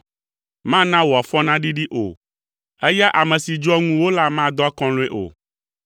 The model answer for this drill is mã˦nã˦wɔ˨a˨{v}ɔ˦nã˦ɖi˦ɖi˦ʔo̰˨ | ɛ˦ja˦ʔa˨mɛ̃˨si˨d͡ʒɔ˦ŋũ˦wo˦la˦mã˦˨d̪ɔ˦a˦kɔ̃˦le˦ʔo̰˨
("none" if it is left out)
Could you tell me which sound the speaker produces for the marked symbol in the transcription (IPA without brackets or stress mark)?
f